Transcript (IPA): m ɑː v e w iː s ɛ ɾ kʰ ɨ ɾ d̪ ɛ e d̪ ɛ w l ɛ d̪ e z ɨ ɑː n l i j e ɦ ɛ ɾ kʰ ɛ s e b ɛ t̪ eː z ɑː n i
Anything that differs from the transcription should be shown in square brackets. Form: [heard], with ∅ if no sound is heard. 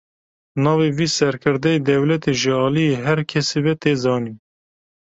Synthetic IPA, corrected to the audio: [n] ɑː v e [v] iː s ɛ ɾ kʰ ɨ ɾ d̪ ɛ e d̪ ɛ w l ɛ [t̪] e [ʒ] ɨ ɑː [∅] l i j e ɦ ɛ ɾ kʰ ɛ s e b ɛ t̪ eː z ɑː n i